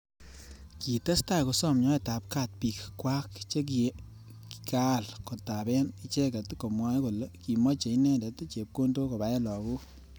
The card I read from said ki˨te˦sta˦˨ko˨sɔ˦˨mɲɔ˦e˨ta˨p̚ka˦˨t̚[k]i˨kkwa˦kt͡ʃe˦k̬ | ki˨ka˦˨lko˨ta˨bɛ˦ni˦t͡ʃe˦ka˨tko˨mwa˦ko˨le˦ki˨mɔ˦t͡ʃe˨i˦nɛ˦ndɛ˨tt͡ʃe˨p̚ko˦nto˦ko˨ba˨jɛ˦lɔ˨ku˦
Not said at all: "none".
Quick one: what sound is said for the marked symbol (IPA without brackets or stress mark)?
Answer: p